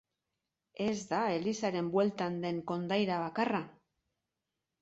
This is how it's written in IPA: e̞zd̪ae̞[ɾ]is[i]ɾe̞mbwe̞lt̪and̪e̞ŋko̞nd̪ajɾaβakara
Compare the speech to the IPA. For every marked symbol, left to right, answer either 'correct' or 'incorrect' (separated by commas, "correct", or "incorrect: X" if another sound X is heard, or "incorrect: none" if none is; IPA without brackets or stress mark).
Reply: incorrect: l, incorrect: a